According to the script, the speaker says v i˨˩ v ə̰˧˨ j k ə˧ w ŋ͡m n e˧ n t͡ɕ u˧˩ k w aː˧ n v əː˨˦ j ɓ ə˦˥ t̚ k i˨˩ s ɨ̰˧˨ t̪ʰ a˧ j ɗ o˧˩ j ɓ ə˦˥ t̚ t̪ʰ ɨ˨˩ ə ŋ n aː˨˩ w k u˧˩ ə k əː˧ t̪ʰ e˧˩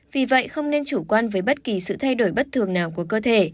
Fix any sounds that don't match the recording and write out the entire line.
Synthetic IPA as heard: v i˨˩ v ə̰˧˨ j x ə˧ w ŋ͡m n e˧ n t͡ɕ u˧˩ k w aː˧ n v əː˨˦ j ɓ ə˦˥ t̚ k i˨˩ s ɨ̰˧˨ t̪ʰ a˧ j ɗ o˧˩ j ɓ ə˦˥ t̚ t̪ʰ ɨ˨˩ ə ŋ n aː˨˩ w k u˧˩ ə k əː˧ t̪ʰ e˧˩